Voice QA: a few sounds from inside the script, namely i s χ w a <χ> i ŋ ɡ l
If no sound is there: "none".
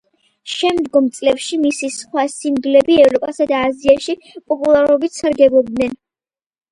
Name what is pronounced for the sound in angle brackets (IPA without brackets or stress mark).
s